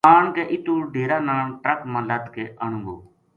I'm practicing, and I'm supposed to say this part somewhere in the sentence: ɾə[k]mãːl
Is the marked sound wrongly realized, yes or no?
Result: no